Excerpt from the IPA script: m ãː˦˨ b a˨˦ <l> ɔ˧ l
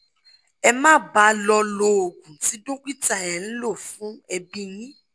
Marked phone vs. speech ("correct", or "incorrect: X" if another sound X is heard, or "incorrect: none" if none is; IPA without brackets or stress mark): correct